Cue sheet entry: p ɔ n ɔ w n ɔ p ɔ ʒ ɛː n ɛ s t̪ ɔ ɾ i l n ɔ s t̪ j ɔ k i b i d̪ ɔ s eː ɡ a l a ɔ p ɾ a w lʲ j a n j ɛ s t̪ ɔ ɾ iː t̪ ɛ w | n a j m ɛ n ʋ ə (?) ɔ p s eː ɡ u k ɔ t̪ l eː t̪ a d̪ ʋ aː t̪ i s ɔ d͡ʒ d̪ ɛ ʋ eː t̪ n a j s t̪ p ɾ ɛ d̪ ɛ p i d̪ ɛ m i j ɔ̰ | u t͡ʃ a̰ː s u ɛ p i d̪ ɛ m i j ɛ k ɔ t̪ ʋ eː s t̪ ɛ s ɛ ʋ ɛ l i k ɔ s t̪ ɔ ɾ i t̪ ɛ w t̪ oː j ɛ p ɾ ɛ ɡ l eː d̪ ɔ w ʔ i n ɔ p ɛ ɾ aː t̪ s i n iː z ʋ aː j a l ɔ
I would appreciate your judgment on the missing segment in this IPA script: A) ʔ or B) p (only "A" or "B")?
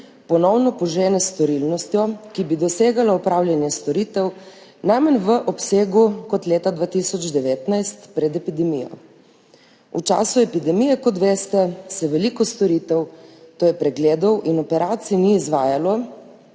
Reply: A